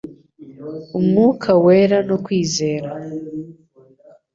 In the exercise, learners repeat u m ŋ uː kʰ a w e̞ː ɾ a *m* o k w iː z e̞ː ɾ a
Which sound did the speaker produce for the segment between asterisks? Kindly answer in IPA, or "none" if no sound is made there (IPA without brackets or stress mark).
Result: n